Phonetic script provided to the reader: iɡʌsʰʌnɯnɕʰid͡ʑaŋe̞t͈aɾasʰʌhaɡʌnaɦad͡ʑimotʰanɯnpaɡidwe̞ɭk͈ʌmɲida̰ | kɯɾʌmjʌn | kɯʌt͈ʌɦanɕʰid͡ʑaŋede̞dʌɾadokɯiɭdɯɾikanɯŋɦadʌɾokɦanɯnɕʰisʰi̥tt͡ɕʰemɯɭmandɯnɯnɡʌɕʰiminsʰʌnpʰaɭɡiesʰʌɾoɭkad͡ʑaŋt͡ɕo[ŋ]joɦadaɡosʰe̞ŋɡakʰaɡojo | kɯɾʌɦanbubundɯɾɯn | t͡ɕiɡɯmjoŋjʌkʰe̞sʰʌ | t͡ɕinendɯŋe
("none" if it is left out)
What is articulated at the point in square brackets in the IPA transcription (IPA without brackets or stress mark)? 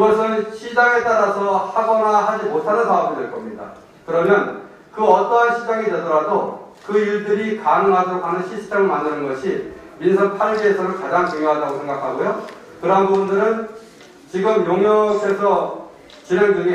ŋ